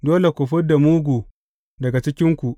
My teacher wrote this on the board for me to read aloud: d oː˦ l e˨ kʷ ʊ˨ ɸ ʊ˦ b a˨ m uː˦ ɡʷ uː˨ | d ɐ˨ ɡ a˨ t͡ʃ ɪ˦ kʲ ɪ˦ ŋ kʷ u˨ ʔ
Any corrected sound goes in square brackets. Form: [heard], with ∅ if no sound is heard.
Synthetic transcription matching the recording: d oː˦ l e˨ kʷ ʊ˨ ɸ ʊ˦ [d] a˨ m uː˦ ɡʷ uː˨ | d ɐ˨ ɡ a˨ t͡ʃ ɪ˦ kʲ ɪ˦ ŋ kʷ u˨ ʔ

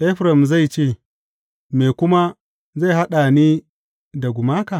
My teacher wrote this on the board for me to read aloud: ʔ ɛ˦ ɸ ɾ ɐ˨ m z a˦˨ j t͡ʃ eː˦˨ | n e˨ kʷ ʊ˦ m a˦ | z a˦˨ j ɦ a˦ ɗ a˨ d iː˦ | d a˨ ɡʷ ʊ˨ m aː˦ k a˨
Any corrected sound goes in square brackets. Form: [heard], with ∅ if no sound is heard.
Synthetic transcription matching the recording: ʔ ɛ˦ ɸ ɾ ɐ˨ m z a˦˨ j t͡ʃ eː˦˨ | [m] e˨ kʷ ʊ˦ m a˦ | z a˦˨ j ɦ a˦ ɗ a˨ [n] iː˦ | d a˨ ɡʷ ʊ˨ m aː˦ k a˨

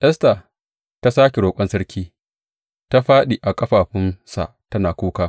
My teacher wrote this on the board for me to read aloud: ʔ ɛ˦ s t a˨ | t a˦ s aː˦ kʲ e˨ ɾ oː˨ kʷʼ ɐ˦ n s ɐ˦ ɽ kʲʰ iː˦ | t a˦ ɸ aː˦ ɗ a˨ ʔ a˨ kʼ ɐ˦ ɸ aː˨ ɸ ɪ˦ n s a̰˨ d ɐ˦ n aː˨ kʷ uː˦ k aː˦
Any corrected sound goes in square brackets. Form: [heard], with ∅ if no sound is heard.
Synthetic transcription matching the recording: ʔ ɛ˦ s t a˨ | t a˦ s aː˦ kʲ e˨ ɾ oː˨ kʷʼ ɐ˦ n s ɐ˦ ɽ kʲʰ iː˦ | t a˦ ɸ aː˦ ɗ [i˨] ʔ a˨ kʼ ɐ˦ ɸ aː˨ ɸ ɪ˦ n s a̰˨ [t] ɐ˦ n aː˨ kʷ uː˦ k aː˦

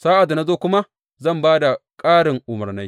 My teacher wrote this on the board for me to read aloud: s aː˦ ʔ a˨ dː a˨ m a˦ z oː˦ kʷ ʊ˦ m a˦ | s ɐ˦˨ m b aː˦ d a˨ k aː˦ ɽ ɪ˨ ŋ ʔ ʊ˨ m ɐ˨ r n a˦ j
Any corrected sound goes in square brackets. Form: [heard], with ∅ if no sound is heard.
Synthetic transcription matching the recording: s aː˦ ʔ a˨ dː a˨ [n] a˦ z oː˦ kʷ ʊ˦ m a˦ | [z] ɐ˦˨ m b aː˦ d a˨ [kʼ] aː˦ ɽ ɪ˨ ŋ ʔ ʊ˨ m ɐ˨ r n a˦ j

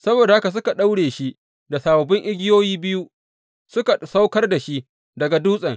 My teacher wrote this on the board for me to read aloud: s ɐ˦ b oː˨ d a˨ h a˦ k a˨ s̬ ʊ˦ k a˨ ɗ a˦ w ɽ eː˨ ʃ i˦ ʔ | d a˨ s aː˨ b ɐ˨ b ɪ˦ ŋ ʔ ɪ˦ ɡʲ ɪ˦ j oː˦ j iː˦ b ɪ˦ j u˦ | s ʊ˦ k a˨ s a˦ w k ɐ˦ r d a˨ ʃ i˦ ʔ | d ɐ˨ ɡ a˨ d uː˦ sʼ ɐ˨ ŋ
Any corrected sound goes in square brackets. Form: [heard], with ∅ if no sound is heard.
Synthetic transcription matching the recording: s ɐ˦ b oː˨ d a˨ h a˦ k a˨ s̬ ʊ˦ k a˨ ɗ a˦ w ɽ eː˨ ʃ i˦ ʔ | d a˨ s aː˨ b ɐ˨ b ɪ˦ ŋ ʔ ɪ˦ ɡʲ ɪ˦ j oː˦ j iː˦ b ɪ˦ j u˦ | s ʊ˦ k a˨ s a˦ w k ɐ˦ r d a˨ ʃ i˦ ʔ | d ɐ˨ ɡ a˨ d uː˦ sʼ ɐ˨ ŋ

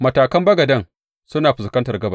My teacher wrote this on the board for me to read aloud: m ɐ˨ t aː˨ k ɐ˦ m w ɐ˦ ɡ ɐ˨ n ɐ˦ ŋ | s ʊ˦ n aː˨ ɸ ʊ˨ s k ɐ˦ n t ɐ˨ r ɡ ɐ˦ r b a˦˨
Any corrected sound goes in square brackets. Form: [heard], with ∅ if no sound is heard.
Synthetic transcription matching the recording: m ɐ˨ t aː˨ k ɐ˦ m [b] ɐ˦ ɡ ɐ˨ [d] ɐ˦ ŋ | s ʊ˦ n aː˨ ɸ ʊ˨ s k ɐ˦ n t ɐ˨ r ɡ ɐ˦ [∅] b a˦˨

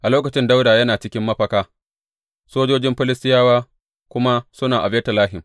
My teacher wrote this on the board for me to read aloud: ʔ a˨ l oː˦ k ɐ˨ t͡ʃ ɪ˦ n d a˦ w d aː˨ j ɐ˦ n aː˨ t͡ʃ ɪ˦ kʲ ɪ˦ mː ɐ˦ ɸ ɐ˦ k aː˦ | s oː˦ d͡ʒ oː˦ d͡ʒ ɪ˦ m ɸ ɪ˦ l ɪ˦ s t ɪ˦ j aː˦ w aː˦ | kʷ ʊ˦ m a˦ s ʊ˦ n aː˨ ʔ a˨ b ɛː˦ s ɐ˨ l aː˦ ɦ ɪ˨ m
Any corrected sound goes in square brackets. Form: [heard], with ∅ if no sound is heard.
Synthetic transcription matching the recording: ʔ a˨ l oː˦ k ɐ˨ t͡ʃ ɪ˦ n d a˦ w d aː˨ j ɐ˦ n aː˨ t͡ʃ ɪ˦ kʲ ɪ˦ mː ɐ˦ ɸ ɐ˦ k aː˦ | s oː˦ d͡ʒ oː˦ d͡ʒ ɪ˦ m ɸ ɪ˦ l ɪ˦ s t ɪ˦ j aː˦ w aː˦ | kʷ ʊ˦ m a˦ s ʊ˦ n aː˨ ʔ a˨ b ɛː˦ [t] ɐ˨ l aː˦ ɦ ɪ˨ m

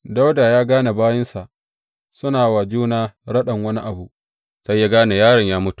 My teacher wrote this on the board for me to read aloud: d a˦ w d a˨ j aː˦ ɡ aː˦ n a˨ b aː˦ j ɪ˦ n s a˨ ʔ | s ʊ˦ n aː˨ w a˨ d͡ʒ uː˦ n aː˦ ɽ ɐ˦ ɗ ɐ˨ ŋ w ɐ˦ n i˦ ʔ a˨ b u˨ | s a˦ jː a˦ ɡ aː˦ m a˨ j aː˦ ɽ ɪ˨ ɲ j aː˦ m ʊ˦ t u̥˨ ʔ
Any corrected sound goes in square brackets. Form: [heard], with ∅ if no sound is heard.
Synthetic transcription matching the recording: d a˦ w d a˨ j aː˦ ɡ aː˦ n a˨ b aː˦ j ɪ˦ n s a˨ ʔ | s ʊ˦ n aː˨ w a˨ d͡ʒ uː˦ n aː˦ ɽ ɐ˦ ɗ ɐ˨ ŋ w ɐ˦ n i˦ ʔ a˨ b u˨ | s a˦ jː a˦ ɡ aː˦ [n] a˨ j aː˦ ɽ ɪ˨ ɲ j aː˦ m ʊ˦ t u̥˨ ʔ

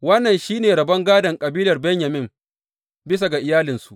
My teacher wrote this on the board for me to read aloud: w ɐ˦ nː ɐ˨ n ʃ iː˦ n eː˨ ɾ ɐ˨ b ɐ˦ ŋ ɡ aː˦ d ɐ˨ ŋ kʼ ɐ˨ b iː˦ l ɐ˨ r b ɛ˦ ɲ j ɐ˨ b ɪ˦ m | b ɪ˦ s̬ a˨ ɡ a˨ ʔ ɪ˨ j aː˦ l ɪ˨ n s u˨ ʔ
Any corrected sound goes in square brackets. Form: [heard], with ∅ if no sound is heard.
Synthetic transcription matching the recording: w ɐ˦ nː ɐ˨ n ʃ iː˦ n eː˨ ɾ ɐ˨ b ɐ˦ ŋ ɡ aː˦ d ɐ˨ ŋ kʼ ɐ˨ b iː˦ l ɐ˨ r b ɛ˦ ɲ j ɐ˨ [m] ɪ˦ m | b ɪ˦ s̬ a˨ ɡ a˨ ʔ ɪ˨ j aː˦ l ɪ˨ n s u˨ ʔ

